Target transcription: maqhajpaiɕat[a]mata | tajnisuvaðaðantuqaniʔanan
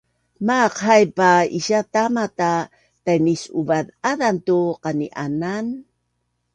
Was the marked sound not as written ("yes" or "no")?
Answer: no